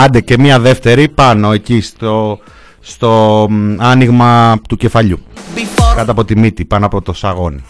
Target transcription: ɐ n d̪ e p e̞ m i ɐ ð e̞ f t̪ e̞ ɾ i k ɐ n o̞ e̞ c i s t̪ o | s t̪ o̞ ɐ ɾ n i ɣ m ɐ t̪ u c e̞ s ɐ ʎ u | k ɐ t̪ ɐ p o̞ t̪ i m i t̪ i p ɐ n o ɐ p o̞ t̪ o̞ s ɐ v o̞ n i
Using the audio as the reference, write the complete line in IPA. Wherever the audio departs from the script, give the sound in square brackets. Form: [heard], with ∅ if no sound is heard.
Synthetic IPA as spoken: ɐ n d̪ e [c] e̞ m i ɐ ð e̞ f t̪ e̞ ɾ i [p] ɐ n o̞ e̞ c i s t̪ o | s t̪ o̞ ɐ [∅] n i ɣ m ɐ t̪ u c e̞ [f] ɐ ʎ u | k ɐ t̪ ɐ p o̞ t̪ i m i t̪ i p ɐ n o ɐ p o̞ t̪ o̞ s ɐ [ɣ] o̞ n i